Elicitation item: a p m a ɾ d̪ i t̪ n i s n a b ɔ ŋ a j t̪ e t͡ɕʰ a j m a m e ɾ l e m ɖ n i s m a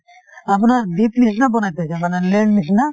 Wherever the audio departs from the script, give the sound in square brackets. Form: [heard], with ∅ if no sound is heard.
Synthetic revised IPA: a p [n] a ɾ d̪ i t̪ n i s n a b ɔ [n] a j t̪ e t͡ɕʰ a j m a [n] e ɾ l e [ɳ] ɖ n i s [n] a